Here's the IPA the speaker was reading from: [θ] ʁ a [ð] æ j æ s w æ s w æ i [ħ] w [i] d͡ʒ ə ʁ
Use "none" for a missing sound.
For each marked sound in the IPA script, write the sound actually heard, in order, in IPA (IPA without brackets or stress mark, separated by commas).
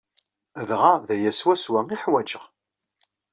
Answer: ð, ð, ħ, æ